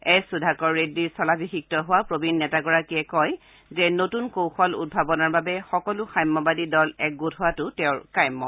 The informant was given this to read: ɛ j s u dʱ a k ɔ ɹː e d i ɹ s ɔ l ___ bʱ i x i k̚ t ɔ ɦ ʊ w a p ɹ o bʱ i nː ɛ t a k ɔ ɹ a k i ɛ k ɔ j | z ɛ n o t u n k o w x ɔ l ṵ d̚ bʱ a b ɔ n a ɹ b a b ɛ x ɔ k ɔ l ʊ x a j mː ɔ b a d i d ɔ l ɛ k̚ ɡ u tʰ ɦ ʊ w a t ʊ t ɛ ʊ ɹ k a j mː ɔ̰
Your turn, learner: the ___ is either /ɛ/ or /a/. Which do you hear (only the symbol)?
a